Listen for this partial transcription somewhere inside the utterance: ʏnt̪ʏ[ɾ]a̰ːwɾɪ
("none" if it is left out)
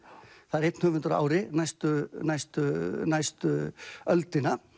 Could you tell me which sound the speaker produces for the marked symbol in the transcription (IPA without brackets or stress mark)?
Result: ɾ